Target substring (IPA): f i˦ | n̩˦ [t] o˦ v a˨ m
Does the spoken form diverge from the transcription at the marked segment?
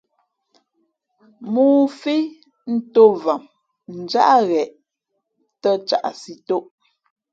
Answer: no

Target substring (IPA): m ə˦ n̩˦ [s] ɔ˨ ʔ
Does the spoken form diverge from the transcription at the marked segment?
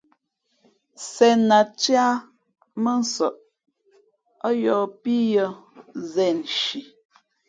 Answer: no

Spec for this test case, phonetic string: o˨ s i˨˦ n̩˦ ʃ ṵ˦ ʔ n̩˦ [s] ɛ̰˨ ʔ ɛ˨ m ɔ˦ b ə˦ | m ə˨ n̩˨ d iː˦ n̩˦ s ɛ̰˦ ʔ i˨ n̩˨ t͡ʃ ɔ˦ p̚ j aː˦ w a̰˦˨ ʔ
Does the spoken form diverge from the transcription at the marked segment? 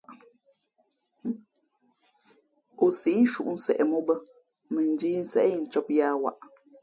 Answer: no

